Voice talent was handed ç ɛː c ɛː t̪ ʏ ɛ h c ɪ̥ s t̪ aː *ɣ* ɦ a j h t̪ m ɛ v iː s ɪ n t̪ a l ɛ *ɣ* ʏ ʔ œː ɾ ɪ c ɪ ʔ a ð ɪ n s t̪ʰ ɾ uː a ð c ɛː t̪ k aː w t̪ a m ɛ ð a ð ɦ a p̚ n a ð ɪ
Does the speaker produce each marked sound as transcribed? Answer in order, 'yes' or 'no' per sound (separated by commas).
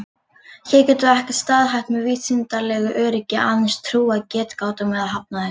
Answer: no, yes